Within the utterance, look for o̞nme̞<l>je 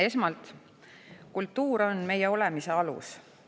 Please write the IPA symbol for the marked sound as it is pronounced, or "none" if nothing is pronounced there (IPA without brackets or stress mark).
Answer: none